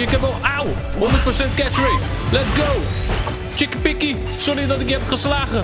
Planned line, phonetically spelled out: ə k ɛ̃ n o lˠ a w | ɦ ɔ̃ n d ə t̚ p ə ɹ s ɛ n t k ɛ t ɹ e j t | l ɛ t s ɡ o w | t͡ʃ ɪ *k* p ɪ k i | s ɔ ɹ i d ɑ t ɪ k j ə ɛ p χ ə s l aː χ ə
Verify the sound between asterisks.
correct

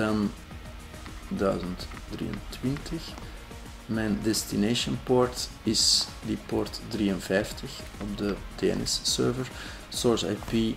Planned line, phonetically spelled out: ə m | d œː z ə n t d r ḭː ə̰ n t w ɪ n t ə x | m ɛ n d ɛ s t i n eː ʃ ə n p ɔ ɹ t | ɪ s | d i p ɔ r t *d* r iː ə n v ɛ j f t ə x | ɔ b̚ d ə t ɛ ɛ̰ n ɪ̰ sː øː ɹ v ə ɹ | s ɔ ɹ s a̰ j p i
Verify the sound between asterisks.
correct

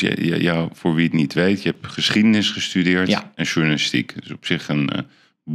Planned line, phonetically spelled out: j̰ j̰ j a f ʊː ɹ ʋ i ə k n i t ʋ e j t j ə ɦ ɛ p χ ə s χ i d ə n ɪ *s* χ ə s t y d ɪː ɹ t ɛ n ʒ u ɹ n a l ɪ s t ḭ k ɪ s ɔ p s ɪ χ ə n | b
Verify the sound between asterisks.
correct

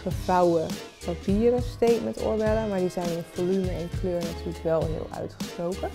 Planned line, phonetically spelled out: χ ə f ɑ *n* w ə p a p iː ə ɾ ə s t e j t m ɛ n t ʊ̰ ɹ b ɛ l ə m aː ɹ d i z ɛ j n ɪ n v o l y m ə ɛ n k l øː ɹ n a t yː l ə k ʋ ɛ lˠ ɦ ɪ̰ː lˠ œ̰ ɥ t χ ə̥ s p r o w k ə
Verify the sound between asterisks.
incorrect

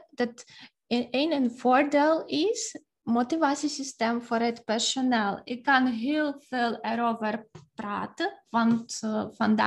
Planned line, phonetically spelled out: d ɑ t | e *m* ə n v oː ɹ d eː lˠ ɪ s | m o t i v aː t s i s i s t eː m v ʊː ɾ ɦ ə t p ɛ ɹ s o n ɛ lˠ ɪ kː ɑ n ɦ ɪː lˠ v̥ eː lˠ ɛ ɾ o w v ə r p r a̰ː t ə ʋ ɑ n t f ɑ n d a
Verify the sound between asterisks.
incorrect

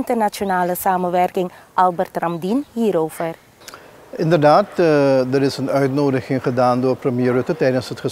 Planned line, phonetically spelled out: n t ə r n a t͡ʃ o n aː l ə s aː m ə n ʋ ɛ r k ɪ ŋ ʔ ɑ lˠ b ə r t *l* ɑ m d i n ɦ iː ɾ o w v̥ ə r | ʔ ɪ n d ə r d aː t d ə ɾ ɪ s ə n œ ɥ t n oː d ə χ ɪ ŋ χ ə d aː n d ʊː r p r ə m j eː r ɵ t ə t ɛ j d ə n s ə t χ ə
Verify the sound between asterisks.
incorrect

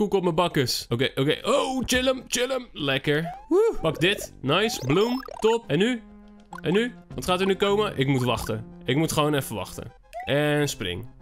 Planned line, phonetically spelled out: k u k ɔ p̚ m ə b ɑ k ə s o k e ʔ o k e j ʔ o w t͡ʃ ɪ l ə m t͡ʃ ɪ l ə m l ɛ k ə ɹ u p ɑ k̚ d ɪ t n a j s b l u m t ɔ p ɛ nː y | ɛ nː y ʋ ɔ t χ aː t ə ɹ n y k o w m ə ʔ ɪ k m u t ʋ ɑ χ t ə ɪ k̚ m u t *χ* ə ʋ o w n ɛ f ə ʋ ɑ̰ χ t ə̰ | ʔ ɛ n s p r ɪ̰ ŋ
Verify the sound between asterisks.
correct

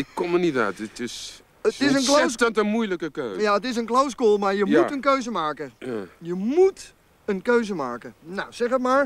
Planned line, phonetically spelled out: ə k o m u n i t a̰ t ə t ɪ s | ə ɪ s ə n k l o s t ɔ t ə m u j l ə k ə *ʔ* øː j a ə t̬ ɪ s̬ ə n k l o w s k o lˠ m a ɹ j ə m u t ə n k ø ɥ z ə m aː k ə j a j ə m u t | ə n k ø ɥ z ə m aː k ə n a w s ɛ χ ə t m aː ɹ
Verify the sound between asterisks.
incorrect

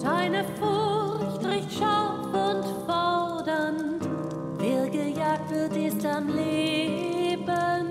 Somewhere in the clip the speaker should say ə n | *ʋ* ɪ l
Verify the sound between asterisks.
incorrect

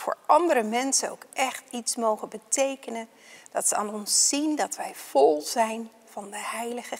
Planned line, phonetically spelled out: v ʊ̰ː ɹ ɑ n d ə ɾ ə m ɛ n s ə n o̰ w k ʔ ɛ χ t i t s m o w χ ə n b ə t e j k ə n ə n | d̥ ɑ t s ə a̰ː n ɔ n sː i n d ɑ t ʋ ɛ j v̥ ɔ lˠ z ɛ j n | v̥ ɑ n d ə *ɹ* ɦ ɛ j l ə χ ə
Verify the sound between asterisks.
incorrect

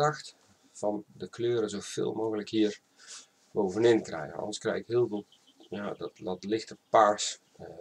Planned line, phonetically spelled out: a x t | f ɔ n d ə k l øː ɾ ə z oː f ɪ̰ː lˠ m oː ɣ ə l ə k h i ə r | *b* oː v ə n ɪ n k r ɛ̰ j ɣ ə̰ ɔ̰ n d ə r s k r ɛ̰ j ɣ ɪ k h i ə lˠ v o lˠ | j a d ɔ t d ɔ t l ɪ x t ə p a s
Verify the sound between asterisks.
correct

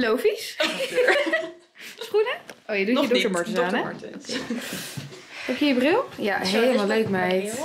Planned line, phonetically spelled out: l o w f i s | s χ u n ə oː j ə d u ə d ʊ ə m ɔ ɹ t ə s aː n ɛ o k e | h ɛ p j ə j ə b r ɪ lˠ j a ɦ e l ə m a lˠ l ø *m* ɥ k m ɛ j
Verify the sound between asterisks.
incorrect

